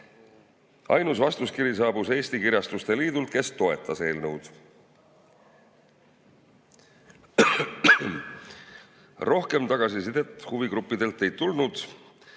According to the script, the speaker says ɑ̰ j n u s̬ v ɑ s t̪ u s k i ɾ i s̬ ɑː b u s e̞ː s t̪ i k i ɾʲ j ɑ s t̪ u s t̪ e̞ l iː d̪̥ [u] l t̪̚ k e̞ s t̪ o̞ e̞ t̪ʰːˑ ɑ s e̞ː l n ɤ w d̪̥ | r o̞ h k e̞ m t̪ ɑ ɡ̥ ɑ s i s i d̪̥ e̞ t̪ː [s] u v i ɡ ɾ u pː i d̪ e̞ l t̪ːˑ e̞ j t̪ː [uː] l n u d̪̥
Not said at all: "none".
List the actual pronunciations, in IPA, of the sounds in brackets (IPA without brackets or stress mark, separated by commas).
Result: u, h, u